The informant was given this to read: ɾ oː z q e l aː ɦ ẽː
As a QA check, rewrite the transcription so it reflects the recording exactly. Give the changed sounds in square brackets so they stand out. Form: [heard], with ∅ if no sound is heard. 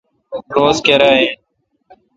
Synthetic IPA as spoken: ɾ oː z [k] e [ɾ] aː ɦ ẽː